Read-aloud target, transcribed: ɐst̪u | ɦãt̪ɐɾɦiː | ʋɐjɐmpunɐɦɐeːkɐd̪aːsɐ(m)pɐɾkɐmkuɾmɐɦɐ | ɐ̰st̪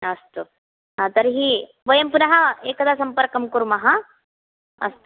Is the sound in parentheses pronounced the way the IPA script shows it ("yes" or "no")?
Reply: yes